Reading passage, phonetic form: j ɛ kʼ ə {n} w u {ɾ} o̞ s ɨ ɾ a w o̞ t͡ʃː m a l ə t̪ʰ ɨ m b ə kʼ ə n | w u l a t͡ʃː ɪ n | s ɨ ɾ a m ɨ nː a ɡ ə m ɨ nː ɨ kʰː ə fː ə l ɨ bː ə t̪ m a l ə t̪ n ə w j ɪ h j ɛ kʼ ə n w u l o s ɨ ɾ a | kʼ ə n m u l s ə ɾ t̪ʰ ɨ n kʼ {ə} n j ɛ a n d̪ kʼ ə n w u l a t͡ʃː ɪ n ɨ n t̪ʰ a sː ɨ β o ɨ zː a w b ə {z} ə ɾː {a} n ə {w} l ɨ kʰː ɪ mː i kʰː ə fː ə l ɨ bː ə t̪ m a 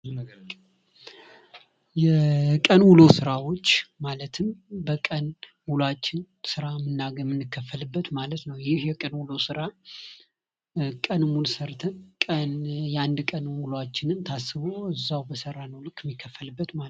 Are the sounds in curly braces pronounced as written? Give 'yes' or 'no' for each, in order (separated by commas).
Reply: yes, no, yes, no, yes, yes